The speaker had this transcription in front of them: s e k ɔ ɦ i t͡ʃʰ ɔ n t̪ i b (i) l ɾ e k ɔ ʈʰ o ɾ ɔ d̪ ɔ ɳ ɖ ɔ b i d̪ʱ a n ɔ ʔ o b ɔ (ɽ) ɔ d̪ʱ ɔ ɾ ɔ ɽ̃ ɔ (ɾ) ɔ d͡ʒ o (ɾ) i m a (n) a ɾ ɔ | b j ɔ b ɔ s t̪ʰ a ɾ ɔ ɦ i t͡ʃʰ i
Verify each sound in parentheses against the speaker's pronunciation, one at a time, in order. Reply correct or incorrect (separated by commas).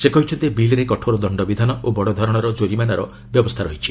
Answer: correct, correct, correct, correct, correct